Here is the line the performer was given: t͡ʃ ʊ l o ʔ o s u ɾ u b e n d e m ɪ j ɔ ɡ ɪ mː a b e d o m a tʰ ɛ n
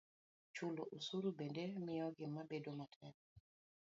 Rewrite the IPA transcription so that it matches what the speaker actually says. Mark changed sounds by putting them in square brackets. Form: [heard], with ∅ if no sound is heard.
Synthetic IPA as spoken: t͡ʃ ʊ l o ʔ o s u ɾ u b e n d e m ɪ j ɔ ɡ ɪ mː a b e d o m a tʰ ɛ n